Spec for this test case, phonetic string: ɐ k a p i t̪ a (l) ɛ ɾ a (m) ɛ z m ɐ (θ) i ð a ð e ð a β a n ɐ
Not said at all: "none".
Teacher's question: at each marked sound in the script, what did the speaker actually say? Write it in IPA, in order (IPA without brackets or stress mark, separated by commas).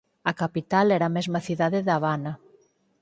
l, m, θ